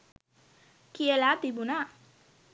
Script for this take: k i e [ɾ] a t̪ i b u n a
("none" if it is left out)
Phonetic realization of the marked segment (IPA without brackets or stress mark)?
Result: l